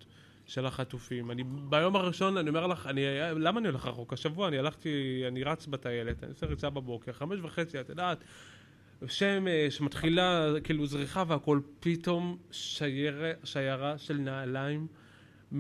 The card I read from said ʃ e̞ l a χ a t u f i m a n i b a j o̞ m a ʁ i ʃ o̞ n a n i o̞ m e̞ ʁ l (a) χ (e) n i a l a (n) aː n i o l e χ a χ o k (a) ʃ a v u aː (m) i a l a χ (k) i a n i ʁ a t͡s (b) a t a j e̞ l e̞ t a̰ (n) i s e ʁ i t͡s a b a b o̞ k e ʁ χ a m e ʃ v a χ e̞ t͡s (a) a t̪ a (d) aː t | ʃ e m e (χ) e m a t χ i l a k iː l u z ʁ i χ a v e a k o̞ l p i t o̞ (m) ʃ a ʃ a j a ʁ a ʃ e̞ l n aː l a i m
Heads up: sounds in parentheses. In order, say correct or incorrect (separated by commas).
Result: correct, incorrect, incorrect, correct, incorrect, incorrect, correct, correct, incorrect, correct, incorrect, correct